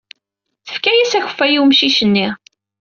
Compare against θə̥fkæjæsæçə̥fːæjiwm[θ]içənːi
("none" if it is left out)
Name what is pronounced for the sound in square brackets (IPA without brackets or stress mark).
ʃ